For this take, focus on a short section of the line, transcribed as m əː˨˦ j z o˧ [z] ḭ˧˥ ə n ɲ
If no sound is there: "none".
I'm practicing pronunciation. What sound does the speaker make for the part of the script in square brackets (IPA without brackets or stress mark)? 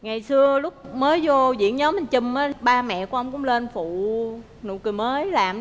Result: z